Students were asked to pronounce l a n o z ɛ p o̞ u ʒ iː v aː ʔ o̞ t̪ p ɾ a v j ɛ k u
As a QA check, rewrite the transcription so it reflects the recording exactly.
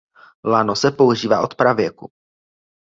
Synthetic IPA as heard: l a n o s ɛ p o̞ u ʒ iː v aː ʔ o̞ t̪ p ɾ a v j ɛ k u